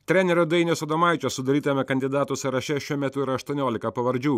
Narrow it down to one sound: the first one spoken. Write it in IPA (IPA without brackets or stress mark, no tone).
t̪ʲ